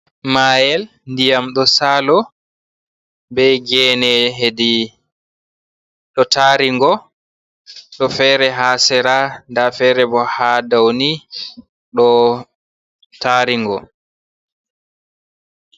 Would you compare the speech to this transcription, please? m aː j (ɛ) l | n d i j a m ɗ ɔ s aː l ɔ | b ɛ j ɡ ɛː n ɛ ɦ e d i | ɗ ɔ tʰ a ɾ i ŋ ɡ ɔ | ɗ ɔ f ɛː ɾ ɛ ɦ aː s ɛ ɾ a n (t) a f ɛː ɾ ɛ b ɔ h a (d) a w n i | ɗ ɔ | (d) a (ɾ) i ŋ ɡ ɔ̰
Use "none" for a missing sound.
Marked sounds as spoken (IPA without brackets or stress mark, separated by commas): ɛ, d, d, t, ɾ